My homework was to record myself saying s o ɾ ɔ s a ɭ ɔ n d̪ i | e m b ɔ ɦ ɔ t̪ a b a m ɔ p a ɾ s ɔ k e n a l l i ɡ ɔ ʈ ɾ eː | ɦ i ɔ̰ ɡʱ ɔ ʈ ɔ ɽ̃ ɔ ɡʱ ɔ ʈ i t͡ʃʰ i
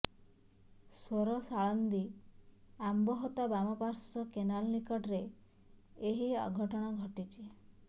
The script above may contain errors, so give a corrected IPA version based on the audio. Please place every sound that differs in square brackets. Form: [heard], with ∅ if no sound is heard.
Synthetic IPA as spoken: s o ɾ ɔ s a ɭ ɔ n d̪ i | [a] m b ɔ ɦ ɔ t̪ a b a m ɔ p a ɾ s ɔ k e n a l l i [k] ɔ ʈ ɾ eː | ɦ i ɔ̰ ɡʱ ɔ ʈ ɔ ɽ̃ ɔ ɡʱ ɔ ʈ i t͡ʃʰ i